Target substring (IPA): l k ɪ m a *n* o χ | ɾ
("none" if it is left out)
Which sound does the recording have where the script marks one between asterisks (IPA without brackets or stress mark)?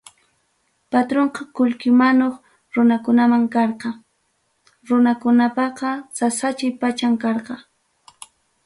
n